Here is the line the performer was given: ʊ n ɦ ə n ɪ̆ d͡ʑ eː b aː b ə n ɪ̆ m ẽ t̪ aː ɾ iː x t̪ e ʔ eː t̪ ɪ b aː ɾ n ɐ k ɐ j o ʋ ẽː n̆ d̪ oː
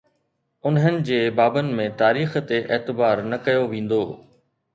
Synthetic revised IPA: ʊ n ɦ ə n ɪ̆ d͡ʑ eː b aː b ə n ɪ̆ m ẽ t̪ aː ɾ iː x t̪ e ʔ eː t̪ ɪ b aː ɾ n ɐ k ɐ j o ʋ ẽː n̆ d̪ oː